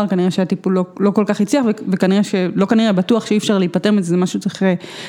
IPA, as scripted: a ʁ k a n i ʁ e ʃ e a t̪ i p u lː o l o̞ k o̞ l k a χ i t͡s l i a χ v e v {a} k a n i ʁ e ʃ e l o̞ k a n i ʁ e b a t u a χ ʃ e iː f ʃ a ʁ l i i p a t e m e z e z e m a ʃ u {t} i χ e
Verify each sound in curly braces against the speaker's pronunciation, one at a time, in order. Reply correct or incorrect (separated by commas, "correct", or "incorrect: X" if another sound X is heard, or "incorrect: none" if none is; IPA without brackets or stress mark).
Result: incorrect: e, incorrect: t͡s